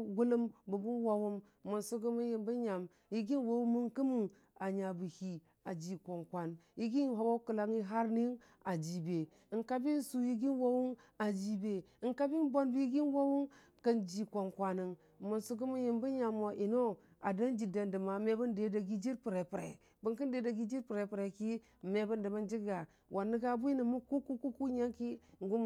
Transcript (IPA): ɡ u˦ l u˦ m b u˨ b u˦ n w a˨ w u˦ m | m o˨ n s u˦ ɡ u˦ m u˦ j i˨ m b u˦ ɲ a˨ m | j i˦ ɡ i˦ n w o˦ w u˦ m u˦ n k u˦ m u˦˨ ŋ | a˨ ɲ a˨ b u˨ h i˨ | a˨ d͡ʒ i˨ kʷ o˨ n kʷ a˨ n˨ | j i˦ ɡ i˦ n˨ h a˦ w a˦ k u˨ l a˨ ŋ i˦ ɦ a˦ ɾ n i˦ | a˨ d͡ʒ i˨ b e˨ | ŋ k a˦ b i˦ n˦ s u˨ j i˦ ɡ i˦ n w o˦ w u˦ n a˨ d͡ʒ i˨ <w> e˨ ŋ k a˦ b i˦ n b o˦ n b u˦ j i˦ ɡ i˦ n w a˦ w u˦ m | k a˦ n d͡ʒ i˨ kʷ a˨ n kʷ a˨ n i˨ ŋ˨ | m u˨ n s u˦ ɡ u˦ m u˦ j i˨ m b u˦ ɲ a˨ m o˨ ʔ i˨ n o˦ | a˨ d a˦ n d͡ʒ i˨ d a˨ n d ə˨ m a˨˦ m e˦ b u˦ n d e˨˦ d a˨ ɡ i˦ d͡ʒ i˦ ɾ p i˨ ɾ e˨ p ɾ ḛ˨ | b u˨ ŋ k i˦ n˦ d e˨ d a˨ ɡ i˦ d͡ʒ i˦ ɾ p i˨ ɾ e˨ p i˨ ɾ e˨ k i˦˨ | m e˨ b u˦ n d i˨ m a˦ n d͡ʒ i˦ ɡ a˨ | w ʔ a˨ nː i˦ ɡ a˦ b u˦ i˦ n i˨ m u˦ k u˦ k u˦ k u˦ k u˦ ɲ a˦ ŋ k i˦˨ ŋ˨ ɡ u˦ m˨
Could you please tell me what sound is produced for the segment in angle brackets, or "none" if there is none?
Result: b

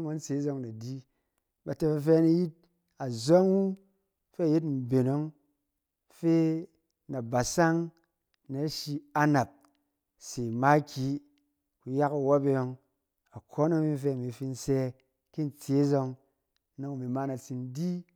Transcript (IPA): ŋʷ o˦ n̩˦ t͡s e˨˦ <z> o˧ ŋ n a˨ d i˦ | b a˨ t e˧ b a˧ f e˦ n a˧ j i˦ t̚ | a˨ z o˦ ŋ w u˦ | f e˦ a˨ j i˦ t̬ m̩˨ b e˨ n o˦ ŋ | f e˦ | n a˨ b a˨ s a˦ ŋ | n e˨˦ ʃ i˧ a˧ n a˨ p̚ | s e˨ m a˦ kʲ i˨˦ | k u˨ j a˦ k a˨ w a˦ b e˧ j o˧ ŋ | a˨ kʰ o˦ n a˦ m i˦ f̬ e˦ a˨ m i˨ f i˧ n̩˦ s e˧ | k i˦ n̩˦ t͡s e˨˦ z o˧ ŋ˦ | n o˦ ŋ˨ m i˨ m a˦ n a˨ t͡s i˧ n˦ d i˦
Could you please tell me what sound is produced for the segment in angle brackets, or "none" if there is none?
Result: z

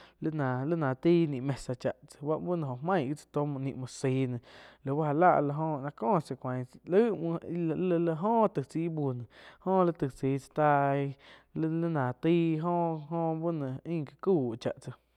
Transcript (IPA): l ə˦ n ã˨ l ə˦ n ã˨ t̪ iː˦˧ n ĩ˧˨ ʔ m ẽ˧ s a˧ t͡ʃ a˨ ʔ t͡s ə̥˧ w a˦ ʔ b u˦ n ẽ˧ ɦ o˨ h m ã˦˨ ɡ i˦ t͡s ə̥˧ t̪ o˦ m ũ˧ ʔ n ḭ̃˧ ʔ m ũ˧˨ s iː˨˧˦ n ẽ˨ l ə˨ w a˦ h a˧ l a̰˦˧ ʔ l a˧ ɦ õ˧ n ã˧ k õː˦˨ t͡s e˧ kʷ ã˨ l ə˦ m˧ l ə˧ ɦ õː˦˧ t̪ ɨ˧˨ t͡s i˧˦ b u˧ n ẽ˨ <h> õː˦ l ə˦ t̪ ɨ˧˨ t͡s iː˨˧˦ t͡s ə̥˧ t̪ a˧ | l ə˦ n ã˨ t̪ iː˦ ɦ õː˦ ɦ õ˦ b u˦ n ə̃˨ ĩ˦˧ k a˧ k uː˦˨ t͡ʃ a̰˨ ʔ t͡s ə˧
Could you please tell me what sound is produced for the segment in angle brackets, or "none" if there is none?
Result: h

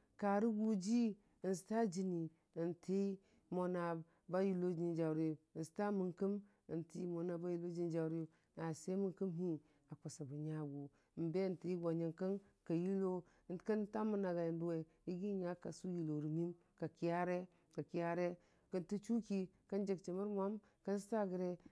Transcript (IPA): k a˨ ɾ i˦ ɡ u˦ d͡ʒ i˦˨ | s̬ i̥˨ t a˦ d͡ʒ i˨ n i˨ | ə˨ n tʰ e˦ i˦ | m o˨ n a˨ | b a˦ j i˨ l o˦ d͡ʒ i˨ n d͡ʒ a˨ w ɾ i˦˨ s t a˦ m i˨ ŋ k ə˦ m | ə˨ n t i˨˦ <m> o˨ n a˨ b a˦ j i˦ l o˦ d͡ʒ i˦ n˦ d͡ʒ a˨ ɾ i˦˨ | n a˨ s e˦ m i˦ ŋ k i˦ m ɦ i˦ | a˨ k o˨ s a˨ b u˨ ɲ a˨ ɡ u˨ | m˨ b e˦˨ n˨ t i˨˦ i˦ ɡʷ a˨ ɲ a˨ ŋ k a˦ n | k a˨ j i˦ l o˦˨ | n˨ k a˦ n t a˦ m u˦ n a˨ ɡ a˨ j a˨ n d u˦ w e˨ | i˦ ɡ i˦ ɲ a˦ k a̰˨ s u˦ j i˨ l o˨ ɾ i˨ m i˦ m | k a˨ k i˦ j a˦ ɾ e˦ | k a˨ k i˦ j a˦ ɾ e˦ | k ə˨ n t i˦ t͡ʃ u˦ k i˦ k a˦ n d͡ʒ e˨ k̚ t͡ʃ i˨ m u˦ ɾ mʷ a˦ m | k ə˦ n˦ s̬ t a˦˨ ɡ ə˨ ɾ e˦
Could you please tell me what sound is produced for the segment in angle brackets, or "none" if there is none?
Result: m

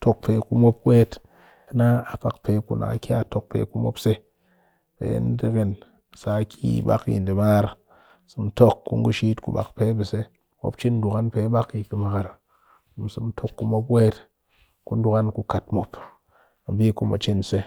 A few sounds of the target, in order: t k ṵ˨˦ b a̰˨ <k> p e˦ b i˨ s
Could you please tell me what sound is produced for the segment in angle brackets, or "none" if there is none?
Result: k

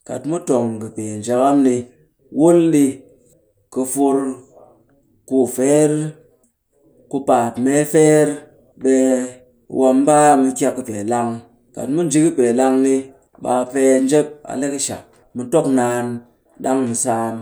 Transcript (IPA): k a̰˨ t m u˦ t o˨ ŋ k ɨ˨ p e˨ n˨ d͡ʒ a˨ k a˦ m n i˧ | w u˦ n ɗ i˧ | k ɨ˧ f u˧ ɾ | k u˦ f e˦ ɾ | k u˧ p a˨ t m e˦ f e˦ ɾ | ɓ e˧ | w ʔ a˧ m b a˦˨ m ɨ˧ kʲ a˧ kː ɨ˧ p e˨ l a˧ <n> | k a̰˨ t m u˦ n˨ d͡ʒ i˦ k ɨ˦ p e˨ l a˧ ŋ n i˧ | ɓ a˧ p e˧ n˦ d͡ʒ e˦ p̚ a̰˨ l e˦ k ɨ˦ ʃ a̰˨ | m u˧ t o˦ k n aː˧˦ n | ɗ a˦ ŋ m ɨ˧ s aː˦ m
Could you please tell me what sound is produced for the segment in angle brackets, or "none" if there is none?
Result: ŋ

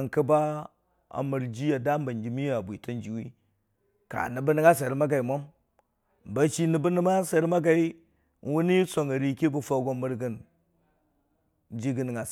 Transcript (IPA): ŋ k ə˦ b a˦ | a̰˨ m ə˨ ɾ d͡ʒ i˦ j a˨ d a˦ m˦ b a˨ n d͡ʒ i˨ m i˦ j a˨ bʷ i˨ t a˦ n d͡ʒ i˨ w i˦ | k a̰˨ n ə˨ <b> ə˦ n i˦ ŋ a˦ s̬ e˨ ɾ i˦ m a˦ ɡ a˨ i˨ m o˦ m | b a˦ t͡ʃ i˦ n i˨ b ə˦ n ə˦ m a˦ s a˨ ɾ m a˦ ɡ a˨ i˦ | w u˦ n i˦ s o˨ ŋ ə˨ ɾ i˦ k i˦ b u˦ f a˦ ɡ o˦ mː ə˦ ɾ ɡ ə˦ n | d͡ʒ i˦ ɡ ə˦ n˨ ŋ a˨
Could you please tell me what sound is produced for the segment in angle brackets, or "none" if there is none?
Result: b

